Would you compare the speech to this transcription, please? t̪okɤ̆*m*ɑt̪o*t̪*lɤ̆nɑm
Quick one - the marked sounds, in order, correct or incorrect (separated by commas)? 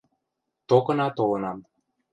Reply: incorrect, incorrect